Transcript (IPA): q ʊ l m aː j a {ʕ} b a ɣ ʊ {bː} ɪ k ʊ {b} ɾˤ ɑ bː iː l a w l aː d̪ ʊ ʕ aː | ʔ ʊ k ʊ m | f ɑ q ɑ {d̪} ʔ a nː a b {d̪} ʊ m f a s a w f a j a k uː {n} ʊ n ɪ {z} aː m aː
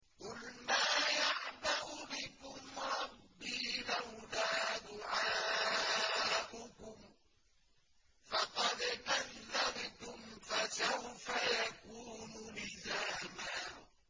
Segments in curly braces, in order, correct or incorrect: correct, incorrect: b, incorrect: m, correct, incorrect: t̪, correct, correct

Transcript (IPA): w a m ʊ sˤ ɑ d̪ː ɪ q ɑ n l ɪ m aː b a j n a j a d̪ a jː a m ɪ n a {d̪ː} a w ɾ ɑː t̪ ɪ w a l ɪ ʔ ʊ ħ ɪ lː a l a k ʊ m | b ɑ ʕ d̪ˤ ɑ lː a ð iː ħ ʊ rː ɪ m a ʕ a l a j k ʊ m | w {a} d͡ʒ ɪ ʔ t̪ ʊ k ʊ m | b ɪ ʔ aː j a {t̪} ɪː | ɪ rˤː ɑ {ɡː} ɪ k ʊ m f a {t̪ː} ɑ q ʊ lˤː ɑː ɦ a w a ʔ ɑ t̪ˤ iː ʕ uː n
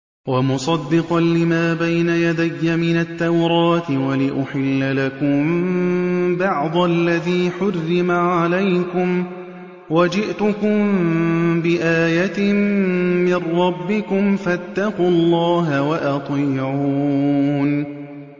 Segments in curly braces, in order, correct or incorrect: incorrect: t̪ː, correct, correct, incorrect: bː, correct

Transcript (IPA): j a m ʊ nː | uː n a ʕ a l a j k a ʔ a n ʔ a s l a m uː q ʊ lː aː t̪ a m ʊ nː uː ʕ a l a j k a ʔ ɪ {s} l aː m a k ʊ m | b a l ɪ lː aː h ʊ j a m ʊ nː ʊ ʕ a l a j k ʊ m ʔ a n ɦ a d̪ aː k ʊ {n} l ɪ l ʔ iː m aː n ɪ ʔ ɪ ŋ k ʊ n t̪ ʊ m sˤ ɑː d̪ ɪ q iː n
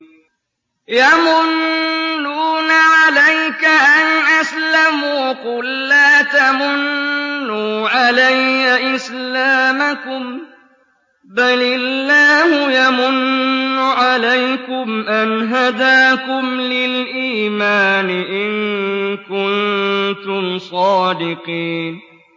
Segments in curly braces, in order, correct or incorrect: correct, incorrect: m

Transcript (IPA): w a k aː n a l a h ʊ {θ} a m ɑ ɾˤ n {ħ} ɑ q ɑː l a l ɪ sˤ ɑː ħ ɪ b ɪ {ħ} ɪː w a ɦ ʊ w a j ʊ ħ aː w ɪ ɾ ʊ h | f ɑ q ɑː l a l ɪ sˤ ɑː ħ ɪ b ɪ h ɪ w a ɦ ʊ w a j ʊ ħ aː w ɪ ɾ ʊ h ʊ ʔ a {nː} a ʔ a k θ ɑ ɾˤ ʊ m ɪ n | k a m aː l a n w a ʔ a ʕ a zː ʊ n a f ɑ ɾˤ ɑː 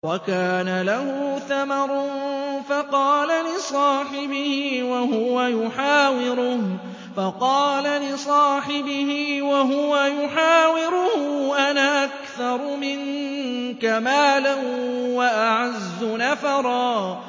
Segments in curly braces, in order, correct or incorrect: correct, incorrect: f, incorrect: h, incorrect: n

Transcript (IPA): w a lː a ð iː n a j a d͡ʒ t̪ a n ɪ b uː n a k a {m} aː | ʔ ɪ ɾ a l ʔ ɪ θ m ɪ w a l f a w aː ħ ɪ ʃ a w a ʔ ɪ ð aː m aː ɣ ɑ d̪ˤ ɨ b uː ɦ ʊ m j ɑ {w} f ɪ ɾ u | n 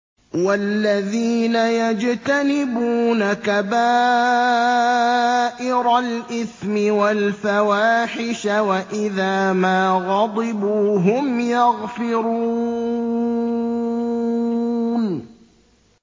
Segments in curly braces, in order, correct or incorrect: incorrect: b, incorrect: ɣ

